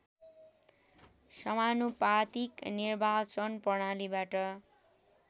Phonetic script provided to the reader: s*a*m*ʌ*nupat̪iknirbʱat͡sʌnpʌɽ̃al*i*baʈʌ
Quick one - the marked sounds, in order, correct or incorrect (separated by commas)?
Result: incorrect, incorrect, correct